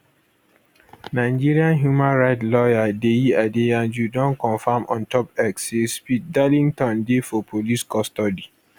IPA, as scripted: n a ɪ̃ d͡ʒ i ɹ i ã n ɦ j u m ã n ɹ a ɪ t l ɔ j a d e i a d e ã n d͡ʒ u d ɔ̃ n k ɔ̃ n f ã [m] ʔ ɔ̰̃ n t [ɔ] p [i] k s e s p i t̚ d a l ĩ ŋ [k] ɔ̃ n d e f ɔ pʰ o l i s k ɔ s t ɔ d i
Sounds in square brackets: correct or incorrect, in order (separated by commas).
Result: correct, correct, incorrect, incorrect